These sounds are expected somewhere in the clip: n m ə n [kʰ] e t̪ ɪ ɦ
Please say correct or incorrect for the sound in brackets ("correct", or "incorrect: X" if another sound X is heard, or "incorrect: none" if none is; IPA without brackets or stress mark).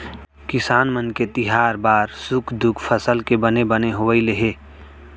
incorrect: k